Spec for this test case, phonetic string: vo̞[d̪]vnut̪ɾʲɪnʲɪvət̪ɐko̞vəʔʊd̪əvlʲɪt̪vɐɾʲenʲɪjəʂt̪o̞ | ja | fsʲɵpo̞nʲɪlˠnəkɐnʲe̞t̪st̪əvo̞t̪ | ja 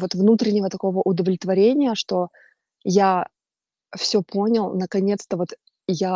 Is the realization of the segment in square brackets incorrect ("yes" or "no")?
yes